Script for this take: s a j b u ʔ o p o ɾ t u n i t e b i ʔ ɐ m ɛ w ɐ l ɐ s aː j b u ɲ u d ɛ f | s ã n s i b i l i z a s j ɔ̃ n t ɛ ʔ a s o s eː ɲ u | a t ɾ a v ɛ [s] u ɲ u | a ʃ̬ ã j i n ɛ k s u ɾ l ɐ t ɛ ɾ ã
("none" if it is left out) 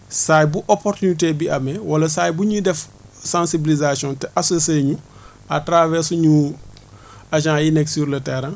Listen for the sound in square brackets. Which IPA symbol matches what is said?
s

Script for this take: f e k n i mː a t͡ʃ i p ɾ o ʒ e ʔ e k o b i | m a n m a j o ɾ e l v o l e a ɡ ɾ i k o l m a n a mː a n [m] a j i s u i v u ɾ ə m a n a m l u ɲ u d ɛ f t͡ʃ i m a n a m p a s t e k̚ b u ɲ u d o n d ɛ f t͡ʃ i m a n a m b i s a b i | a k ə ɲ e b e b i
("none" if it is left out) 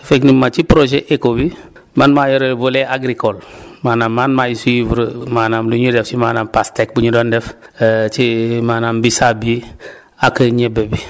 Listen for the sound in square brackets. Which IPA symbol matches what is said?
m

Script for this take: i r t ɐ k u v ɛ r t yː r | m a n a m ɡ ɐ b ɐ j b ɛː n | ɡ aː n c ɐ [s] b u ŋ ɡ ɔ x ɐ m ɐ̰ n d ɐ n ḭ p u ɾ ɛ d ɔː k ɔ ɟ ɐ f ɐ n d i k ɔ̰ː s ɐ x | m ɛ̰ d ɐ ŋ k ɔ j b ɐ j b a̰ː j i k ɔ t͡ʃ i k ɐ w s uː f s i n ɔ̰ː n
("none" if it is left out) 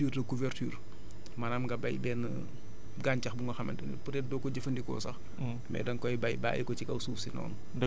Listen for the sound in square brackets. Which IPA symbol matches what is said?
x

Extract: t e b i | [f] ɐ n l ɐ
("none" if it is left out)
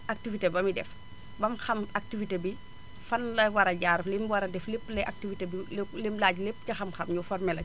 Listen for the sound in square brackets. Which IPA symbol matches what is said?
f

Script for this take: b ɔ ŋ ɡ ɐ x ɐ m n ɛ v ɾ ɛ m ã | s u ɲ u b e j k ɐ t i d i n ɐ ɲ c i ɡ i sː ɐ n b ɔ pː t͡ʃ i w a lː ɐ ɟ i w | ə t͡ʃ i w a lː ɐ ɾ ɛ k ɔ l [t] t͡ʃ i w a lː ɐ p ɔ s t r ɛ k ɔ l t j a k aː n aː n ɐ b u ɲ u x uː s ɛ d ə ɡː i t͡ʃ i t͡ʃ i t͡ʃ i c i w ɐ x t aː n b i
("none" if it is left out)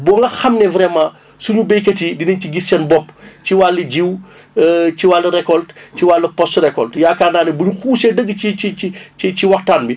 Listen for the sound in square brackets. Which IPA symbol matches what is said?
t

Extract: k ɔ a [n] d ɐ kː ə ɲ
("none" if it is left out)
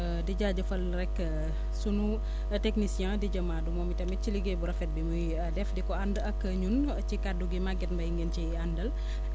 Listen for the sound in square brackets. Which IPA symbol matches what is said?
n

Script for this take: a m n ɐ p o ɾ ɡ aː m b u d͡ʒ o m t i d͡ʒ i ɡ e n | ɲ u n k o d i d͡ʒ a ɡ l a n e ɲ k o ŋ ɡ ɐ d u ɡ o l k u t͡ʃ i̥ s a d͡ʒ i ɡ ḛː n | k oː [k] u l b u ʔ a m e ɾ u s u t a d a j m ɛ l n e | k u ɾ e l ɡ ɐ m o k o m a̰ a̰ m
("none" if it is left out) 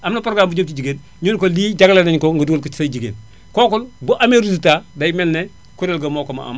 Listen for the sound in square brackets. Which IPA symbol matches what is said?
k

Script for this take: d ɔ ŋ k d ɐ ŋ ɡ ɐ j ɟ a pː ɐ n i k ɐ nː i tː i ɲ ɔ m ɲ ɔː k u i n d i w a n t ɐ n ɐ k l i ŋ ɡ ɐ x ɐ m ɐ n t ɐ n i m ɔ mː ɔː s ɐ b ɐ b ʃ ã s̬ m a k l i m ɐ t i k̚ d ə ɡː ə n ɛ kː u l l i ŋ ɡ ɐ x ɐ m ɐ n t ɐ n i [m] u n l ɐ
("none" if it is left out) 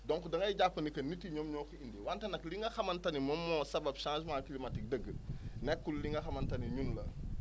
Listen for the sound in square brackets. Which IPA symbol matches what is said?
ɲ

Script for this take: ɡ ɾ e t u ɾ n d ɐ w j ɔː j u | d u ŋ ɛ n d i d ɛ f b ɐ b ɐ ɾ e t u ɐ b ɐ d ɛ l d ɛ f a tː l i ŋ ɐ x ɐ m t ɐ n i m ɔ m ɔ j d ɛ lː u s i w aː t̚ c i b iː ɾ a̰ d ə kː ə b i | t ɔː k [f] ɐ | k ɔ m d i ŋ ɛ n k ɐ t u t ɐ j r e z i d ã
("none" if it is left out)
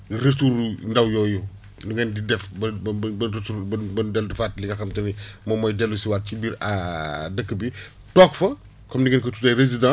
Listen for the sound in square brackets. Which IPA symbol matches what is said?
f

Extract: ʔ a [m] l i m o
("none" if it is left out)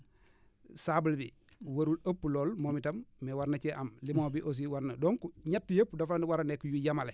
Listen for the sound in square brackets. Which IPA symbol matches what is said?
m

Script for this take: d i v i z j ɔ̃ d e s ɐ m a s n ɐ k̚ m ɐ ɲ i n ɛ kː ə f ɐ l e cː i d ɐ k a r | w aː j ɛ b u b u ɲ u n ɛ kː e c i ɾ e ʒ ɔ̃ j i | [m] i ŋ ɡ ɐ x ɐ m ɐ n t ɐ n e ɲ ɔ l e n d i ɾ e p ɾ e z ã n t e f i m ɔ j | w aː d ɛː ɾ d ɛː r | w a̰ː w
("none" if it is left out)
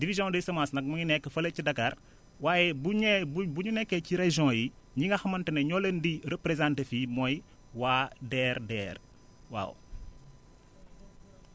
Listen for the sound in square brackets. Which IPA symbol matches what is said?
ɲ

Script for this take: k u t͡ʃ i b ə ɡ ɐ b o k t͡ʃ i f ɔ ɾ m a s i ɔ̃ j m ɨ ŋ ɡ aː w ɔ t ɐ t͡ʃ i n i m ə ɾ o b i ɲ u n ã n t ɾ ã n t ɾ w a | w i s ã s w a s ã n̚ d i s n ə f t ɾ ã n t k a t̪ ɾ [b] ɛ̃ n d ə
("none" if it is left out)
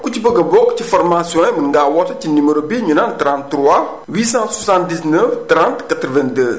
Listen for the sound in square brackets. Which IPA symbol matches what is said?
v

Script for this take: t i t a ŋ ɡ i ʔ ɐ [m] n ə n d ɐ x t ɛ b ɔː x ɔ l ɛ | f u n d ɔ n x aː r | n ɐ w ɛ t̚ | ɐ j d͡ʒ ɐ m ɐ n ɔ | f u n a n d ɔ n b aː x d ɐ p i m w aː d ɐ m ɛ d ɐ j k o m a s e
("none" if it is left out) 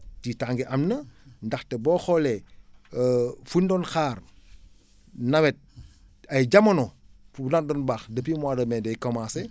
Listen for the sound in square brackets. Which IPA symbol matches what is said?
m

